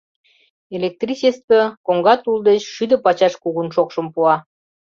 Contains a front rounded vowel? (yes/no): yes